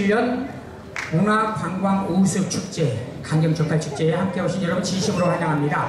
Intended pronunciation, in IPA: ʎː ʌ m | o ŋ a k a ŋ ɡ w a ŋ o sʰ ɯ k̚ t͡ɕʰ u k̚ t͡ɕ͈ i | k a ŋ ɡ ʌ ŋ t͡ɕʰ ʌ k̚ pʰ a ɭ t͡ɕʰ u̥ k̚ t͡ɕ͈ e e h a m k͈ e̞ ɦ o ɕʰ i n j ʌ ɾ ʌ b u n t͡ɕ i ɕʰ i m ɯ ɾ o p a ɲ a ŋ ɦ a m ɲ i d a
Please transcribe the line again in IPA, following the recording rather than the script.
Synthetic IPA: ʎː ʌ n | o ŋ a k a ŋ ɡ w a ŋ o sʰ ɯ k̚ t͡ɕʰ u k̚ t͡ɕ͈ e | k a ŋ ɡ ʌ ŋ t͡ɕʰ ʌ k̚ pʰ a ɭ t͡ɕʰ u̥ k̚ t͡ɕ͈ e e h a m k͈ e̞ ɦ o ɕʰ i n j ʌ ɾ ʌ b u n t͡ɕ i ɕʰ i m ɯ ɾ o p a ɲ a ŋ ɦ a m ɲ i d a